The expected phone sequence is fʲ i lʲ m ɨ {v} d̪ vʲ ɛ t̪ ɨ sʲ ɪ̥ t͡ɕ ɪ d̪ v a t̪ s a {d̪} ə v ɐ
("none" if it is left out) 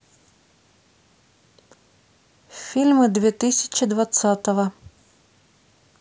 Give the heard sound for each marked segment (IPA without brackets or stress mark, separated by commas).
none, t̪